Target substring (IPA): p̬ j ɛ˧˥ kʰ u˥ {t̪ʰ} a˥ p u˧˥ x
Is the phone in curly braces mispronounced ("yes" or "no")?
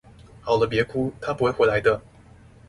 no